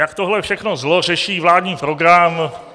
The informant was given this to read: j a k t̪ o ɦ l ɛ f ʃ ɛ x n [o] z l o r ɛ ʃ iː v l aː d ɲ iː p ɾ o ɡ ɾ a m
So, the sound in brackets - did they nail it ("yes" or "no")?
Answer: yes